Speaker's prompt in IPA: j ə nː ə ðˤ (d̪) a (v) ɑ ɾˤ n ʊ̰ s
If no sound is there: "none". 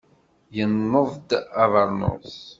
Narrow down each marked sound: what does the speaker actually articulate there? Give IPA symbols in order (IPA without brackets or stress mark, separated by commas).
d̪, v